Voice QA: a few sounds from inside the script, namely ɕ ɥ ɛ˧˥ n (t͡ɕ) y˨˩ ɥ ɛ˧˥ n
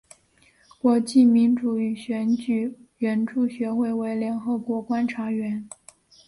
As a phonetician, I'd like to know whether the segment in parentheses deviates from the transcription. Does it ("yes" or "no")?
no